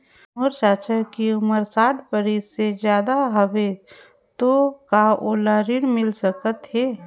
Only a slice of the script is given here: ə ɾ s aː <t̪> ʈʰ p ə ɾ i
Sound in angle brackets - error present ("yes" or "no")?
yes